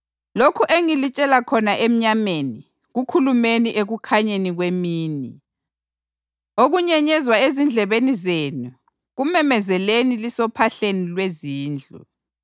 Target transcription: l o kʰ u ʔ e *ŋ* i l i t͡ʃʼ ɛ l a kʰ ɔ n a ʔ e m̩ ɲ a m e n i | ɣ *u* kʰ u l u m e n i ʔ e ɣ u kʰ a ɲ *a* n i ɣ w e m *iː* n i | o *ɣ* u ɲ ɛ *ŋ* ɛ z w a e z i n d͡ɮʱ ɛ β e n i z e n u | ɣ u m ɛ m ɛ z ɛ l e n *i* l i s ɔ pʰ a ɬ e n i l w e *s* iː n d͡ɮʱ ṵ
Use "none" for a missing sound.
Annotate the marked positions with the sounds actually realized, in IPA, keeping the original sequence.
ŋ, u, e, iː, ɣ, ɲ, i, z

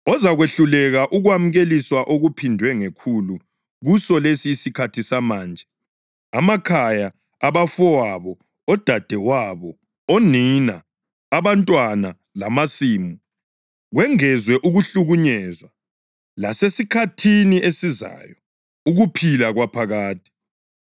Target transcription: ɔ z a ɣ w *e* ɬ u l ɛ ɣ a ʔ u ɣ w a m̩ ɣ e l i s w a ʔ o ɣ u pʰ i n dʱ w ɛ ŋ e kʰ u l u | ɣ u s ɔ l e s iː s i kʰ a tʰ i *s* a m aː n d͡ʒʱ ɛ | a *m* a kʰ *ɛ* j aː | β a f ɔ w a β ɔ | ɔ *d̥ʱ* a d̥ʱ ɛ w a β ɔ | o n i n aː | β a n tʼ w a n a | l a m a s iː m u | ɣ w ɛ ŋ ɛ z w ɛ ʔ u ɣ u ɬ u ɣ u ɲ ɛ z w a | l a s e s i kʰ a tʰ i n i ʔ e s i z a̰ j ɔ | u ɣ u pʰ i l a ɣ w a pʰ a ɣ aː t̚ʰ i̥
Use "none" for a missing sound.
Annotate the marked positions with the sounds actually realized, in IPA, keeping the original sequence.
e, s, m, a, d̥ʱ

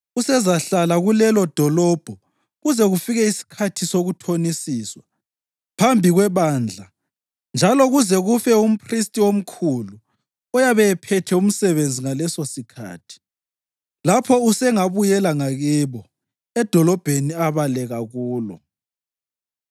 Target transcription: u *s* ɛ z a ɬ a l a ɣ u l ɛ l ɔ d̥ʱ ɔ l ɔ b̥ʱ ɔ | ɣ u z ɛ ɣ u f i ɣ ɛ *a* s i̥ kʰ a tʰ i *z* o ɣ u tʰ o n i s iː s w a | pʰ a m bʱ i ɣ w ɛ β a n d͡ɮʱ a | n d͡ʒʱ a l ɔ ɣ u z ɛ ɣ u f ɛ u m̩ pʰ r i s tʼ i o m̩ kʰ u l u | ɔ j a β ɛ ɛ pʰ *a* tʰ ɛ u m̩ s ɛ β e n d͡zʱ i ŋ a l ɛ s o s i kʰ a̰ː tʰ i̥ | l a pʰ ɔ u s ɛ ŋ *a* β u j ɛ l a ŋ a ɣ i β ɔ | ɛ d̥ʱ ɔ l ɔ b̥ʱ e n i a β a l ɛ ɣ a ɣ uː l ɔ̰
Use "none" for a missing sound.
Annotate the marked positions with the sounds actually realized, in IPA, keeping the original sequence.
s, i, s, ɛ, a

